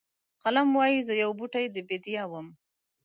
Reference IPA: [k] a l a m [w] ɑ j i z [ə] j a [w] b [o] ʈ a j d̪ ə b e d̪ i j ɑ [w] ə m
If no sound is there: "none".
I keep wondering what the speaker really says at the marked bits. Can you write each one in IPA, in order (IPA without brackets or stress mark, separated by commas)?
q, w, ə, w, u, w